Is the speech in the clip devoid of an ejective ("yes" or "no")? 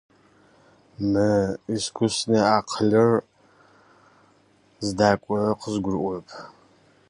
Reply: no